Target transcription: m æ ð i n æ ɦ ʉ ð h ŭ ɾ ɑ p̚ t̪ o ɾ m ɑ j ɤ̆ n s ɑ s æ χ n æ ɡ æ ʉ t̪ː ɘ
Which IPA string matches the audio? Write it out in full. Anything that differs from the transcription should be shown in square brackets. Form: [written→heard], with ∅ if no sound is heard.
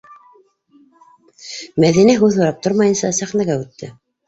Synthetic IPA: m æ ð i n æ ɦ ʉ ð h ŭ ɾ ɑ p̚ t̪ o ɾ m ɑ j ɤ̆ n s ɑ s æ χ n æ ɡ æ ʉ t̪ː ɘ